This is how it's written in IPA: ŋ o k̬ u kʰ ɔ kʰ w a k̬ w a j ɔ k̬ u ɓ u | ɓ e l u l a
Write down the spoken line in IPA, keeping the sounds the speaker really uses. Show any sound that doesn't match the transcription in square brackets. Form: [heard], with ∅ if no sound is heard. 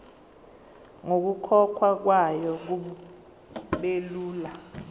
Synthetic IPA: ŋ o k̬ u kʰ ɔ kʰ w a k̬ w a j ɔ k̬ u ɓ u | ɓ e l [uː] l a